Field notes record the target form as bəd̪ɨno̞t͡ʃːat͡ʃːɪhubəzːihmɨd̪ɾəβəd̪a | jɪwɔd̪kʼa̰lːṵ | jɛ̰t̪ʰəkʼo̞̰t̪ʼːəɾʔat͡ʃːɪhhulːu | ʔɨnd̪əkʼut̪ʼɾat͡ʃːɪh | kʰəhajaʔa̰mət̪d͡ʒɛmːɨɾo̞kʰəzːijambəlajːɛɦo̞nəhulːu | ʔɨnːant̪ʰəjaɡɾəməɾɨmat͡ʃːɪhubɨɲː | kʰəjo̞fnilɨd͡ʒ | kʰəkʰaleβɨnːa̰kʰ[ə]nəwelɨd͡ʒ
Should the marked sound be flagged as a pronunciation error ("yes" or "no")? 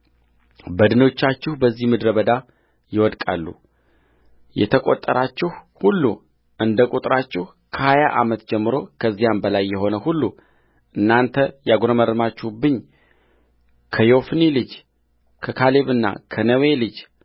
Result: no